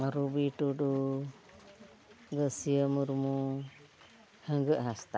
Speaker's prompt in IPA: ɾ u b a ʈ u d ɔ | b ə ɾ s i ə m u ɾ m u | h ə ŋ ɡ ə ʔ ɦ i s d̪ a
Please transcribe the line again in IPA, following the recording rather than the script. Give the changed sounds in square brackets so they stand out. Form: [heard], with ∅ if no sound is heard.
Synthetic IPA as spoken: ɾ u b [i] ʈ u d [u] | [ɡ] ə [∅] s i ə m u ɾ m u | h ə ŋ ɡ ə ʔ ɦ [a] s [t̪] a